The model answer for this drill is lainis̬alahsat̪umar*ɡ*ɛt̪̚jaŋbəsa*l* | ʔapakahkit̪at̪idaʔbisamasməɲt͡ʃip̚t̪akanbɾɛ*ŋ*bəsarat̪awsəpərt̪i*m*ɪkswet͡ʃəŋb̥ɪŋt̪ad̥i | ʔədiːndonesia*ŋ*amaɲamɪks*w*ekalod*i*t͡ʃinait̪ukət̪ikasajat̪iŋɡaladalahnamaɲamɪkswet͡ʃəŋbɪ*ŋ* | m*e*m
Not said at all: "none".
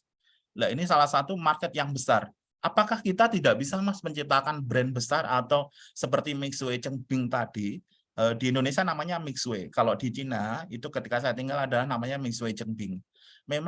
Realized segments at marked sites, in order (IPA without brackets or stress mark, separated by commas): k, r, n, m, n, w, i, ŋ, e